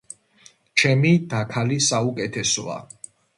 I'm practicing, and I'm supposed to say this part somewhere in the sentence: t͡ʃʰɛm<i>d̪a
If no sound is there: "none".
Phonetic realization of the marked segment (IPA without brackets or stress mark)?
i